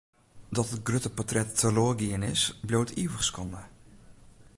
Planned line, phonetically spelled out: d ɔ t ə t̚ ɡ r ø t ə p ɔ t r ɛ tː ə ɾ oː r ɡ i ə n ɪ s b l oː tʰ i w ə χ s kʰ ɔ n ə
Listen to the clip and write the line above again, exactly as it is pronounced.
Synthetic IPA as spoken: d ɔ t ə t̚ ɡ r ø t ə p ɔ t r ɛ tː ə l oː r ɡ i ə n ɪ s b l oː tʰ i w ə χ s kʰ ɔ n ə